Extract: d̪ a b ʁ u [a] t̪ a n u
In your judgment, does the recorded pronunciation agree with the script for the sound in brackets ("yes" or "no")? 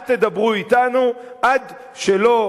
no